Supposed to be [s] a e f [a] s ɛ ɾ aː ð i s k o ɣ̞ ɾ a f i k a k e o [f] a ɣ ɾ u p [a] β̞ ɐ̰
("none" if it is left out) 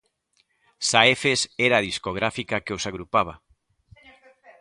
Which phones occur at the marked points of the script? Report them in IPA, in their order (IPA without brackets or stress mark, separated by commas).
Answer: s, e, s, a